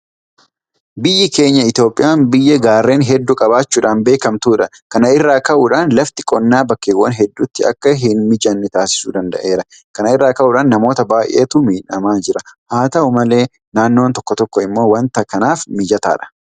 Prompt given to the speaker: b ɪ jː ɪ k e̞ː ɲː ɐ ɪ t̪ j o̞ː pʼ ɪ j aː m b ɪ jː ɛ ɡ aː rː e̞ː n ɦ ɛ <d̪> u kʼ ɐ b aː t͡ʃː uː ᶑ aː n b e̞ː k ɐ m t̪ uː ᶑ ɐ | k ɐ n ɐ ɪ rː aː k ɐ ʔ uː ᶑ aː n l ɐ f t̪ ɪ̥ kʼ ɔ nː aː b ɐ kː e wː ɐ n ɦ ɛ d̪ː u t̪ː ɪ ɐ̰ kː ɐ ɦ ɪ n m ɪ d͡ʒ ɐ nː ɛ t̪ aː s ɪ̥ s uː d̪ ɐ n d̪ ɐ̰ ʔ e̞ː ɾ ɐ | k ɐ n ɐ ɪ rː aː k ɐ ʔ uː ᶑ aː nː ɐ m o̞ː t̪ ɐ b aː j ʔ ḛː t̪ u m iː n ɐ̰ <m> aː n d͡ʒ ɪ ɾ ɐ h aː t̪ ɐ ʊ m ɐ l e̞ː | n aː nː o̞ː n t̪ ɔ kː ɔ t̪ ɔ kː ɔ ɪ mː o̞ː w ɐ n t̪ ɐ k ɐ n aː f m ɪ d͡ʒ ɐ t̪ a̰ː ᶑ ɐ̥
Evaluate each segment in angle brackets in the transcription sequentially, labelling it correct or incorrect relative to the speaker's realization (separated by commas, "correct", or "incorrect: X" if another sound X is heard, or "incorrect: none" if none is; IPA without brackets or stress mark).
incorrect: d̪ː, correct